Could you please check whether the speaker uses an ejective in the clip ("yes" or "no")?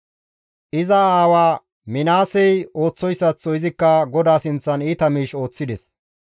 no